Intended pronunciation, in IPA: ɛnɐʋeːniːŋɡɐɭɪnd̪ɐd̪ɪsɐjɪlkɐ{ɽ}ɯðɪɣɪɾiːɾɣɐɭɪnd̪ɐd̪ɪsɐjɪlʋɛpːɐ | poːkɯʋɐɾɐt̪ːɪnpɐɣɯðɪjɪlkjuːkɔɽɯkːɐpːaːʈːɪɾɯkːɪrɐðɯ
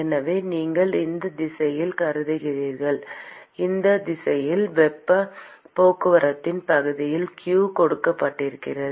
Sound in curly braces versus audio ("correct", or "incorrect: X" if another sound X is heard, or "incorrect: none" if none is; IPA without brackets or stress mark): incorrect: ɾ